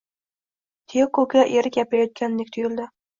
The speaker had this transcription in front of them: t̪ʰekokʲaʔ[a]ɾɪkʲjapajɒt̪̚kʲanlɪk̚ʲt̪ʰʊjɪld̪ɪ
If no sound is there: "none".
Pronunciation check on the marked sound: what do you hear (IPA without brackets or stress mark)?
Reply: e